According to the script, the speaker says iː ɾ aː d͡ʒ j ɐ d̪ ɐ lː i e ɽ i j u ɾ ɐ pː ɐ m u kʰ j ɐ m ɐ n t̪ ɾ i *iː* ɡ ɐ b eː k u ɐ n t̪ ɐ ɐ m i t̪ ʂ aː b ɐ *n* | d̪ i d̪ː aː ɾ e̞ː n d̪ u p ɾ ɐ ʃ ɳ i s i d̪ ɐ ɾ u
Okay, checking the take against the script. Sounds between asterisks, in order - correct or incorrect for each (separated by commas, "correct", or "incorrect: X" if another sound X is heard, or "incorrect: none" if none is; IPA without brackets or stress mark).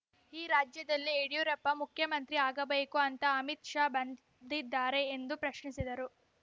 incorrect: aː, correct